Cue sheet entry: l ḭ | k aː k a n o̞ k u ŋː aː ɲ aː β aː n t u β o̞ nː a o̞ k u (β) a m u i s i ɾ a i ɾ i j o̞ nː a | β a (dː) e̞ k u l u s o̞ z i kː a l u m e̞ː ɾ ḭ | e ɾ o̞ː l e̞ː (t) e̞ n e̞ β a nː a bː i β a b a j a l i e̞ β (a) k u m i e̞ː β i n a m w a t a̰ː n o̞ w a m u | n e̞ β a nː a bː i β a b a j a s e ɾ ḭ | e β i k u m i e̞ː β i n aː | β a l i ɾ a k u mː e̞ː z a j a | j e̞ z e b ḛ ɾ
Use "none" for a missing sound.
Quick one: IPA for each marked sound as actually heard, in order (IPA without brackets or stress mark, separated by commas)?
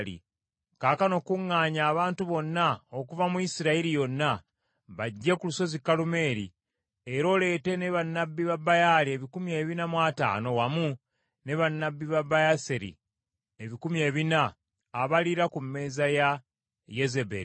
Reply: v, ɟː, t, i